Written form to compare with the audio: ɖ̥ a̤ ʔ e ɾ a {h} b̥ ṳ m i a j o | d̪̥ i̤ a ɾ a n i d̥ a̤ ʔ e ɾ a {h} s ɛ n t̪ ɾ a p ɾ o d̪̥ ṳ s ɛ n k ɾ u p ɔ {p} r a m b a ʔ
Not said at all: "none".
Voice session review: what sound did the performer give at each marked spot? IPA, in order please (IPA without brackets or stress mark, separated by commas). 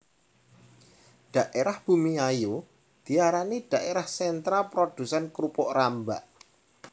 h, h, ʔ